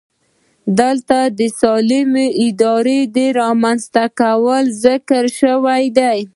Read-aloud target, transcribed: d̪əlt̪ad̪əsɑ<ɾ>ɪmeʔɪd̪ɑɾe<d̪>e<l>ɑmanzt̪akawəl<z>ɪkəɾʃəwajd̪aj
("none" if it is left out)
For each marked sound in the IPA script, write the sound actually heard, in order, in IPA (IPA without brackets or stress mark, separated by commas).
l, d̪, ɾ, z